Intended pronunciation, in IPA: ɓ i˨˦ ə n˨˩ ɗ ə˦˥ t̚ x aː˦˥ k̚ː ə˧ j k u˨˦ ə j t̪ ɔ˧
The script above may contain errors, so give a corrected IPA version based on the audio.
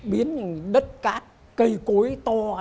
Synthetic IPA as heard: ɓ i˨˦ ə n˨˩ ɗ ə˦˥ t̚ k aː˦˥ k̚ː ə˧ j k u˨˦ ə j t̪ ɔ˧